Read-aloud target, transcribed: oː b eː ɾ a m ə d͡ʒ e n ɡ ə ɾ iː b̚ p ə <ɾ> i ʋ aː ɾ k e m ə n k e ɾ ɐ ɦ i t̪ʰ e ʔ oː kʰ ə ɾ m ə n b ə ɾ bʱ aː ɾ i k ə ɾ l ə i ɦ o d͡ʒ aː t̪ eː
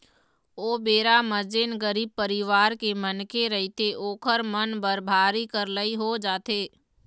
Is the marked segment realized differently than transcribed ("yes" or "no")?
no